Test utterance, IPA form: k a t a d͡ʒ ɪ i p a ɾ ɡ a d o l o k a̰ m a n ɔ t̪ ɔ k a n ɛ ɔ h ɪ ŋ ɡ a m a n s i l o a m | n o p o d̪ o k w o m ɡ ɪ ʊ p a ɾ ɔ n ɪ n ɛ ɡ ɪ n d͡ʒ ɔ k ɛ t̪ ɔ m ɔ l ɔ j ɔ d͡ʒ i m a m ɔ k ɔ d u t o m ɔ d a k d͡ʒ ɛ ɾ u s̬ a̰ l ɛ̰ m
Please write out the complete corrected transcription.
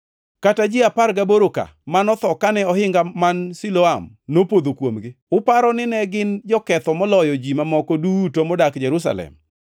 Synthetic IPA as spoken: k a t a d͡ʒ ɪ a p a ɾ ɡ a b o ɾ o k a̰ m a n ɔ t̪ ɔ k a n ɛ ɔ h ɪ ŋ ɡ a m a n s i l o a m | n o p o d̪ o k w o m ɡ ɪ ʊ p a ɾ ɔ n ɪ n ɛ ɡ ɪ n d͡ʒ ɔ k ɛ t̪ ɔ m ɔ l ɔ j ɔ d͡ʒ i m a m ɔ k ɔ d u t o m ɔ d a k d͡ʒ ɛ ɾ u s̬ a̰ l ɛ̰ m